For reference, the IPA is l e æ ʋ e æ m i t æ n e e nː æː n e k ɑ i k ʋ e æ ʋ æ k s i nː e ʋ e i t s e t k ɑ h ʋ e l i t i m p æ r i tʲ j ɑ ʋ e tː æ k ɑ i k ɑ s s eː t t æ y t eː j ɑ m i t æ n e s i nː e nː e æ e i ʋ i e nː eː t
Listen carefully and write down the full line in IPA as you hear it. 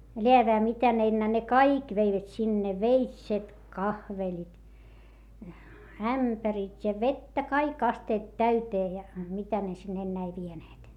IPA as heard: l e æ ʋ e æ m i t æ n e e nː æː n e k ɑ i k ʋ e i ʋ æ t s i nː e ʋ e i t s e t k ɑ h ʋ e l i t æ m p æ r i tʲ j ɑ ʋ e tː æ k ɑ i k ɑ s t eː t t æ y t eː j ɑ m i t æ n e s i nː e nː e æ e i ʋ i e n eː t